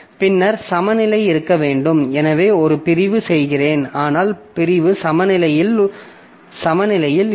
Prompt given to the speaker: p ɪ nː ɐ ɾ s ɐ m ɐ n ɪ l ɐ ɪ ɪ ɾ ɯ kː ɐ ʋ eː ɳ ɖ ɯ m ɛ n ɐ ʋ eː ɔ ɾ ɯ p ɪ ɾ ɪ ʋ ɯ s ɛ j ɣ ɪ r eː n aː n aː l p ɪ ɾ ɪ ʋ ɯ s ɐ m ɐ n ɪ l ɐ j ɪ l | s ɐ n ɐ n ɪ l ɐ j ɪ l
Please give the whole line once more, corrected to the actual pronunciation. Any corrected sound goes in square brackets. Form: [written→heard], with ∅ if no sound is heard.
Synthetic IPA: p ɪ nː ɐ ɾ s ɐ m ɐ n ɪ l ɐ ɪ ɪ ɾ ɯ kː ɐ ʋ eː ɳ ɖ ɯ m ɛ n ɐ ʋ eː ɔ ɾ ɯ p ɪ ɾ ɪ ʋ ɯ s ɛ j ɣ ɪ r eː n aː n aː l p ɪ ɾ ɪ ʋ ɯ s ɐ m ɐ n ɪ l ɐ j ɪ l | s ɐ [n→m] ɐ n ɪ l ɐ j ɪ l